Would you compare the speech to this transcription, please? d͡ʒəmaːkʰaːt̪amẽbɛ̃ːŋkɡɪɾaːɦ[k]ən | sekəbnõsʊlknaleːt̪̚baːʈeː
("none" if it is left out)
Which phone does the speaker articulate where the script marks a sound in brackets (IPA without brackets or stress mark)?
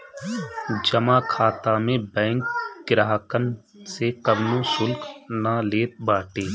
k